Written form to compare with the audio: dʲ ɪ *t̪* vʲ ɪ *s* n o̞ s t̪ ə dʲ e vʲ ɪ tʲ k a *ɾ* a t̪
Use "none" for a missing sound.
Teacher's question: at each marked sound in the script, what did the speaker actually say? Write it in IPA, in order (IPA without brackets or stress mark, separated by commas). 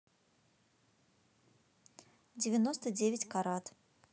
none, none, ɾ